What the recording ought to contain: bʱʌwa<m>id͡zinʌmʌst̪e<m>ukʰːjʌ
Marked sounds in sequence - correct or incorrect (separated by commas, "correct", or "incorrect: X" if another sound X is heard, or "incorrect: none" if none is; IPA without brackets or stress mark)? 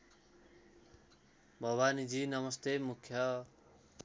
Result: incorrect: n, correct